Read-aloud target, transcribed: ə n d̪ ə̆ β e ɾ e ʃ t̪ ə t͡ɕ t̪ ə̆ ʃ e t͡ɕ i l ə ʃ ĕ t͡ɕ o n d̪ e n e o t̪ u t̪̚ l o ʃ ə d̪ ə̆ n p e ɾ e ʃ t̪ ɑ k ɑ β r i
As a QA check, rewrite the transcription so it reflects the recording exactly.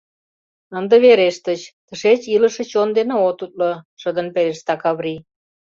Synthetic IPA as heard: ə n d̪ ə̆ β e ɾ e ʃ t̪ ə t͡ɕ t̪ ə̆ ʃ e t͡ɕ i l ə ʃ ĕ t͡ɕ o n d̪ e n e o t̪ u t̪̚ l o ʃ ə d̪ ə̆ n p e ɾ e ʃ t̪ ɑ k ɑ β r i